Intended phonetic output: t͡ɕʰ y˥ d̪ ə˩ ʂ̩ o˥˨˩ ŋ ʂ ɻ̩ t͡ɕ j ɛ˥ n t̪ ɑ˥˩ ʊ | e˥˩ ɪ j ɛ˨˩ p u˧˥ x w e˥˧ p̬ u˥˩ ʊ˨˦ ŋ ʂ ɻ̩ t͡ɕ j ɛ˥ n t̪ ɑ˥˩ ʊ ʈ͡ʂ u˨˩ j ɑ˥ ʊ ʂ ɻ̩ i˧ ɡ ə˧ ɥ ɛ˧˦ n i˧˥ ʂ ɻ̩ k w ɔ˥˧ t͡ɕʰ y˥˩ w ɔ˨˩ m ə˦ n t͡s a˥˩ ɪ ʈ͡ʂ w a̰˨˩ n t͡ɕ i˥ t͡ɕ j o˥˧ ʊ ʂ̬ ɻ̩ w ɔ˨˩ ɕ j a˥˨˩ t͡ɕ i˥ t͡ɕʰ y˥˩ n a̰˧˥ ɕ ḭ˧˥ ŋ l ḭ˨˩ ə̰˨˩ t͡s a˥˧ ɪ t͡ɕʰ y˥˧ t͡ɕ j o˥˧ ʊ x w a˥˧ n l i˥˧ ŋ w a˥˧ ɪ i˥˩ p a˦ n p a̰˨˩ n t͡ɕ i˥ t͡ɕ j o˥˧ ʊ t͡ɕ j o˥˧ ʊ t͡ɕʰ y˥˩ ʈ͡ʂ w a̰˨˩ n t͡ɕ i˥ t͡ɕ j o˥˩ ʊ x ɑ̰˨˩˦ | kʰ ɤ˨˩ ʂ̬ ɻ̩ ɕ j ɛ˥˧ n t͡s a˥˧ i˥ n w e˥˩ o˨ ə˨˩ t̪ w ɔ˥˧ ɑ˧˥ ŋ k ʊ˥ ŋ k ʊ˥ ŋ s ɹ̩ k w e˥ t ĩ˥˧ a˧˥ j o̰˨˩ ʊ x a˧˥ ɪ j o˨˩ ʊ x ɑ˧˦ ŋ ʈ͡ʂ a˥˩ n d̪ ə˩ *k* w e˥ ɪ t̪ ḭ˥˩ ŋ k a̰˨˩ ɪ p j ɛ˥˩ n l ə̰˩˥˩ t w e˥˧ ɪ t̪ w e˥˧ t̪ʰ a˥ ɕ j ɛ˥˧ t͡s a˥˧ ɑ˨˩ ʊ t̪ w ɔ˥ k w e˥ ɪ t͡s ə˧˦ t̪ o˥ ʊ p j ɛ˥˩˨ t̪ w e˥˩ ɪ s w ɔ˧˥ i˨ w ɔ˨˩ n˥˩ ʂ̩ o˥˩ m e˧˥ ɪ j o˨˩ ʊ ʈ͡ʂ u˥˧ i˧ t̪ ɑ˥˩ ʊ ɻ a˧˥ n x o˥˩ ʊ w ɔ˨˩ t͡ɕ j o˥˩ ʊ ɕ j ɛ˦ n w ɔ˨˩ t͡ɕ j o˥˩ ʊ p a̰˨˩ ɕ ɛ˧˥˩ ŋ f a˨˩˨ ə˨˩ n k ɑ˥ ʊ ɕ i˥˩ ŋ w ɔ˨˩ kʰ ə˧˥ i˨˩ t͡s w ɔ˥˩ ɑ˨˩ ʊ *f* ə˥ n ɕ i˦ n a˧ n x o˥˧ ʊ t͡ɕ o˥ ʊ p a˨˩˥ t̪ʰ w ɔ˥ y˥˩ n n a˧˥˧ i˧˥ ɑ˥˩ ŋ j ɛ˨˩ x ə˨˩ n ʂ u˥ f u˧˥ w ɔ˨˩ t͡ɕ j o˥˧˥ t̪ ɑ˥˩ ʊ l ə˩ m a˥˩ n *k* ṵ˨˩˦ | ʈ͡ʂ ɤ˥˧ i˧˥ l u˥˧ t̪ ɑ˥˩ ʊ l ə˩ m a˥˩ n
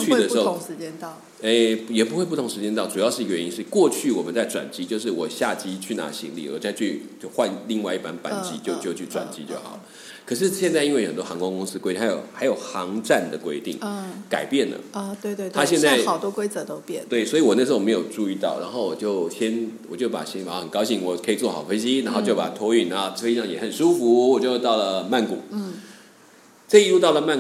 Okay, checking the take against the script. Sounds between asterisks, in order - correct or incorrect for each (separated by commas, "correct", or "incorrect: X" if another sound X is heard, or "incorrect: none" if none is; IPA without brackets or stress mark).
correct, correct, correct